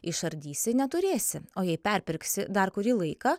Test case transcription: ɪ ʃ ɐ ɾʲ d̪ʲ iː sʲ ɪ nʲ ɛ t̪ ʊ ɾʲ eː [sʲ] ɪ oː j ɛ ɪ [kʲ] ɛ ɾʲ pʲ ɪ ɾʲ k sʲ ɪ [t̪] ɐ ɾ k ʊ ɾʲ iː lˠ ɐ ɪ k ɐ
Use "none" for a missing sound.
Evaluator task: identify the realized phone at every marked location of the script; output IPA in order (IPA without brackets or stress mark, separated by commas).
sʲ, pʲ, d̪